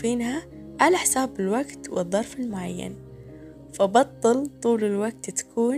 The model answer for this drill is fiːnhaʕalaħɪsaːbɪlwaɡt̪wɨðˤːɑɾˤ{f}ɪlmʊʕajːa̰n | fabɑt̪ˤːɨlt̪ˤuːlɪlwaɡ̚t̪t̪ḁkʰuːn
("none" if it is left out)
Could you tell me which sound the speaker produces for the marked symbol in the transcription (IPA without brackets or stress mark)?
f